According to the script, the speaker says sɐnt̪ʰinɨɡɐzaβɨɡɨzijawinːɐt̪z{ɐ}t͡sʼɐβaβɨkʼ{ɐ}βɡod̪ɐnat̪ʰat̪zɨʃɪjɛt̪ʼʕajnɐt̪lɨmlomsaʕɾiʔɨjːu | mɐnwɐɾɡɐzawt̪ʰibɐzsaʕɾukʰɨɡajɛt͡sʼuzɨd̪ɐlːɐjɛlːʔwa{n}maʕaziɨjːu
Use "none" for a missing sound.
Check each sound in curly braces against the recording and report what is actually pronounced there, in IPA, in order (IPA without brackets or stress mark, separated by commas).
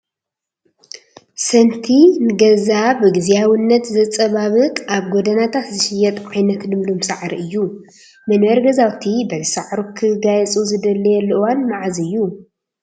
ɐ, a, n